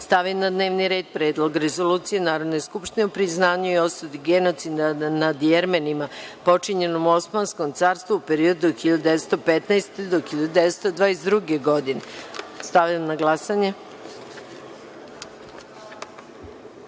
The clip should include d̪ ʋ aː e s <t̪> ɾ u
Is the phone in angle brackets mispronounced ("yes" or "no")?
yes